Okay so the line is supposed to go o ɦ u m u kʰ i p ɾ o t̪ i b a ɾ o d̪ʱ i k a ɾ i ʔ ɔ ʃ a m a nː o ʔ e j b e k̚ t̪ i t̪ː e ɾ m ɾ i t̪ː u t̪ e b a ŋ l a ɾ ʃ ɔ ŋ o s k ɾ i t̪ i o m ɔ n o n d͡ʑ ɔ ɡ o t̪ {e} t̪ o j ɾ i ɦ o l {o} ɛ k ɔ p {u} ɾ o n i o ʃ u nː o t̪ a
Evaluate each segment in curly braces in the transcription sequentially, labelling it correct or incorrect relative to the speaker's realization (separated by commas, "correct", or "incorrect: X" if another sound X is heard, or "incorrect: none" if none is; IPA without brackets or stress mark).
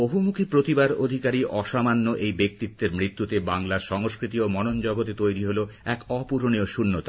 correct, correct, correct